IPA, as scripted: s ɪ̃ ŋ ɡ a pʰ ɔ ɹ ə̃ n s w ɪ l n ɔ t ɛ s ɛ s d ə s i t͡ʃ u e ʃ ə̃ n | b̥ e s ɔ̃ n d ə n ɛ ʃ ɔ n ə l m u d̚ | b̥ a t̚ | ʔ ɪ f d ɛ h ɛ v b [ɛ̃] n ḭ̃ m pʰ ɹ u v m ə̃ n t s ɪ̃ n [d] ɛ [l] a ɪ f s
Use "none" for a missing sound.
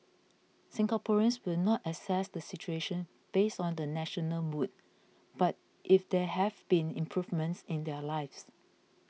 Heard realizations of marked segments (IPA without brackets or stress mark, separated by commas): ĩ, d, l